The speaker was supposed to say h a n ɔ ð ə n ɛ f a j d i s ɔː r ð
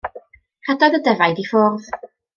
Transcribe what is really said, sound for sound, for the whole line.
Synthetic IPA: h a d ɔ ð ə d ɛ v a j d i f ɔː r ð